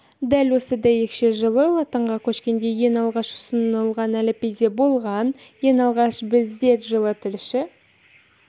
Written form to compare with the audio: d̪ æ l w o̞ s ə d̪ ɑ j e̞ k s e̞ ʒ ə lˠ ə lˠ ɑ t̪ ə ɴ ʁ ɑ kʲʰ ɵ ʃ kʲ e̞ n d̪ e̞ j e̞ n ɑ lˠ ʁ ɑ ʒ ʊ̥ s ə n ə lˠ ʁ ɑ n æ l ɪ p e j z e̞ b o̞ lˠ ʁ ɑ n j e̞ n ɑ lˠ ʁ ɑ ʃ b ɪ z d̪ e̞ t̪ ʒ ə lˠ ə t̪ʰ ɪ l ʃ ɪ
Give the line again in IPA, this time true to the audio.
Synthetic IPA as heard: d̪ æ l w o̞ s ə d̪ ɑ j e̞ k ʃ e̞ ʒ ə lˠ ə lˠ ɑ t̪ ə ɴ ʁ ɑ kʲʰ ɵ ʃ kʲ e̞ n d̪ e̞ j e̞ n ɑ lˠ ʁ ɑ ʃ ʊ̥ s ə n ə lˠ ʁ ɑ n æ l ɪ p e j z e̞ b o̞ lˠ ʁ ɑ n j e̞ n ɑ lˠ ʁ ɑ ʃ b ɪ z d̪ e̞ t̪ ʒ ə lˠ ə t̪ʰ ɪ l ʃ ɪ